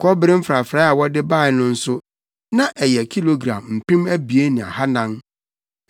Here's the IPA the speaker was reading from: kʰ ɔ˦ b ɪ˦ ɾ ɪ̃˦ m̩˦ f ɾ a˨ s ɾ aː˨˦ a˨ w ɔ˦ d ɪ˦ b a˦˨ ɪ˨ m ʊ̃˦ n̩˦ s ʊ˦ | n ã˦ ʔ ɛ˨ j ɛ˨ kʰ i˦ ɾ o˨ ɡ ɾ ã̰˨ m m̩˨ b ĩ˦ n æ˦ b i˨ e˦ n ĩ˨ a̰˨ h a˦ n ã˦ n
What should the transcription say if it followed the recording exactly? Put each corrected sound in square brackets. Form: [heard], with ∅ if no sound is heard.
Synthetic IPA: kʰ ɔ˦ b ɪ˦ ɾ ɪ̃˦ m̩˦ f ɾ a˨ [f] ɾ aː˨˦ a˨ w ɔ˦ d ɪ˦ b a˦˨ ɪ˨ [n] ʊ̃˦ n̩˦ s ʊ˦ | n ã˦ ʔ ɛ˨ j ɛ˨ kʰ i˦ [l] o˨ ɡ ɾ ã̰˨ m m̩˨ [p] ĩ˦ [m] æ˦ b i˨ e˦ n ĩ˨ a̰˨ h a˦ n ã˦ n